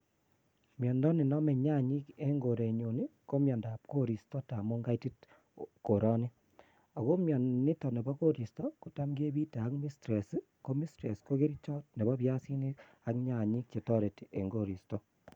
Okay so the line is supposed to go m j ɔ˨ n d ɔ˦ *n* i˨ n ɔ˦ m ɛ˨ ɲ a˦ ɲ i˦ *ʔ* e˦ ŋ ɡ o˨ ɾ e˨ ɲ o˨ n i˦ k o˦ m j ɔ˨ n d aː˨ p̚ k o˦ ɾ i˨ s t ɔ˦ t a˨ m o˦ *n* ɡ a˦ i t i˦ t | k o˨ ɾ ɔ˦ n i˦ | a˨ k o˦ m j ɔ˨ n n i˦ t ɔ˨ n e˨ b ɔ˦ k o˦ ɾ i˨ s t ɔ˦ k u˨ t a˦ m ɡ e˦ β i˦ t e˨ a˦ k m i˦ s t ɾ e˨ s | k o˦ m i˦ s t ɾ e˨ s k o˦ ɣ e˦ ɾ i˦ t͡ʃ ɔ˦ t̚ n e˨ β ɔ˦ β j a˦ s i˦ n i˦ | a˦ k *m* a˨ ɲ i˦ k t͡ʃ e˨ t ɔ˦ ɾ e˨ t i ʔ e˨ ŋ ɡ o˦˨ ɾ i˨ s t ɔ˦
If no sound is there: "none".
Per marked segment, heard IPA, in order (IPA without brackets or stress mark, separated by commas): n, k, ŋ, ɲ